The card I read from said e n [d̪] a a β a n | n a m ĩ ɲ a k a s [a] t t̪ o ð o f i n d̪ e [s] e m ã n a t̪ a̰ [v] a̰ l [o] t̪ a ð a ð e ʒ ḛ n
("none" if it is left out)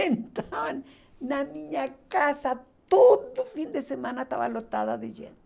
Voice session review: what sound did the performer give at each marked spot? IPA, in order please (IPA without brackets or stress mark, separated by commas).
t̪, a, s, β, o